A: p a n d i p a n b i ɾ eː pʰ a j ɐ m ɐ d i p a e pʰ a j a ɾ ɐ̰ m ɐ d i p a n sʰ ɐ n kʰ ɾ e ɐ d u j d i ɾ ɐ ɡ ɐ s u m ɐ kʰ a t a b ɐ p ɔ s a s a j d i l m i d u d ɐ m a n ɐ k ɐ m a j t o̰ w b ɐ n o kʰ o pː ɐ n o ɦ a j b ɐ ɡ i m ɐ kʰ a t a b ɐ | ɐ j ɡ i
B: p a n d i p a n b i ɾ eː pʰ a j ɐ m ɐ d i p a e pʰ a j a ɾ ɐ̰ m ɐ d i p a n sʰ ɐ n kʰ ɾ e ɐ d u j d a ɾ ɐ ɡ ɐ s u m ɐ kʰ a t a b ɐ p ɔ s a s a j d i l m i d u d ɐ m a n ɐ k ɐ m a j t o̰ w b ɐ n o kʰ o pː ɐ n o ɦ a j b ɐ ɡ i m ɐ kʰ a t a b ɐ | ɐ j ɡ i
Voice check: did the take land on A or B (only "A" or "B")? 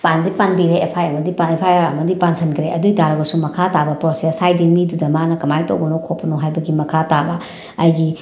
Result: B